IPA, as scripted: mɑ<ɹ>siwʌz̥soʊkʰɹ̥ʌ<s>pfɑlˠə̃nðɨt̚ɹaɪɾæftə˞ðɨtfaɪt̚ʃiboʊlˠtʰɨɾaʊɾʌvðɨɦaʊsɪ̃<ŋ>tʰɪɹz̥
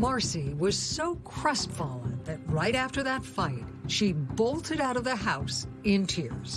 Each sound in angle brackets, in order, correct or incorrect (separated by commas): correct, correct, incorrect